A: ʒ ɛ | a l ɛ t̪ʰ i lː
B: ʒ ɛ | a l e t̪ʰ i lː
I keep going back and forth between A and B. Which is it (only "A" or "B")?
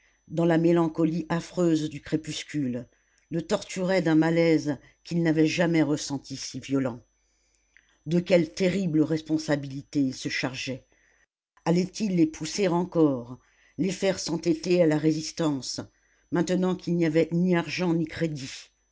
A